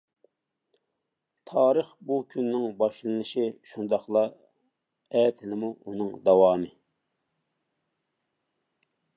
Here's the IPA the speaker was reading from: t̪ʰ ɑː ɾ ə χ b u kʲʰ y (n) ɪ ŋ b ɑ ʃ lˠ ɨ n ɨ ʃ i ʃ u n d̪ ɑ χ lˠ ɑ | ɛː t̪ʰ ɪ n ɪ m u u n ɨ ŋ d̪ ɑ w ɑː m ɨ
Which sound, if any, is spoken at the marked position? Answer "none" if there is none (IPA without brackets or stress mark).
nː